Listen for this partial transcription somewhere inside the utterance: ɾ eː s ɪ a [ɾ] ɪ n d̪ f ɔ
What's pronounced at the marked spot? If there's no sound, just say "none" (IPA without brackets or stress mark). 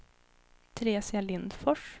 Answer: l